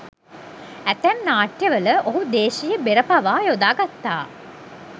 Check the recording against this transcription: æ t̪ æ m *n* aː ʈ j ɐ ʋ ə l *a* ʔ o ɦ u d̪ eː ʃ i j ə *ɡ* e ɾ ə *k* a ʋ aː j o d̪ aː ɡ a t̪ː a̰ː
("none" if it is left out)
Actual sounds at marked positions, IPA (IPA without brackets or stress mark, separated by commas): n, ə, b, p